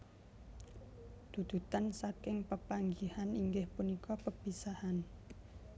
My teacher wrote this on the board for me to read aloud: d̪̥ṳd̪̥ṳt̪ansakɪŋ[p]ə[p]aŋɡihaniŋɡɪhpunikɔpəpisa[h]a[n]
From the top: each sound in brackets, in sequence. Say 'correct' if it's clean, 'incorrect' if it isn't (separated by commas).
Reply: correct, correct, correct, correct